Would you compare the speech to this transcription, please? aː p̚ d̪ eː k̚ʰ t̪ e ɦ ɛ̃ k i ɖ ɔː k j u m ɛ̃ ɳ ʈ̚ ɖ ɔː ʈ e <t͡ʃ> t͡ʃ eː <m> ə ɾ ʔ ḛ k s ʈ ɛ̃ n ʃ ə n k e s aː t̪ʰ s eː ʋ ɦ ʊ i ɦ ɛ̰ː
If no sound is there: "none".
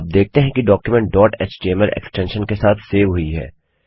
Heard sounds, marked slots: t͡ʃ, m

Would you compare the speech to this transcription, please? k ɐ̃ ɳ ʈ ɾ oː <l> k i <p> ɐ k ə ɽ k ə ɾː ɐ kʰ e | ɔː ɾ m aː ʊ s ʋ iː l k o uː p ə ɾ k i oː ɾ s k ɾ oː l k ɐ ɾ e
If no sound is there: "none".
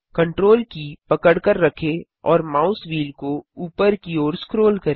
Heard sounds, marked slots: l, p

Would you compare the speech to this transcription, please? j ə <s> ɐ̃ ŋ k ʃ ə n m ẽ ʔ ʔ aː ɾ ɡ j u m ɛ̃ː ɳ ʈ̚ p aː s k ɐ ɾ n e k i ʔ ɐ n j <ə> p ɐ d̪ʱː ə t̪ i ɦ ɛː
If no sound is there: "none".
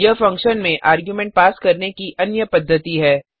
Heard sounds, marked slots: f, ə

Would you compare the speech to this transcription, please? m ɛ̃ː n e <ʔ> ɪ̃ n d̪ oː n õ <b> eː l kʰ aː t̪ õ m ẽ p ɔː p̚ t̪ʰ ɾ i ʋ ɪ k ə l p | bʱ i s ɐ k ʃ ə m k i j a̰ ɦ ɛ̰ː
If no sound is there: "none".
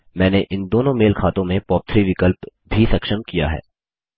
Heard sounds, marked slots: ʔ, m

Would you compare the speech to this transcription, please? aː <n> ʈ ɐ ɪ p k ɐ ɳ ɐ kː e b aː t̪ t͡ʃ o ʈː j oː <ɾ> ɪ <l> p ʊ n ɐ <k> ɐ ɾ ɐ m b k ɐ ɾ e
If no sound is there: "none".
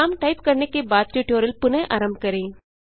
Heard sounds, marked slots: m, ɾ, l, ʔ

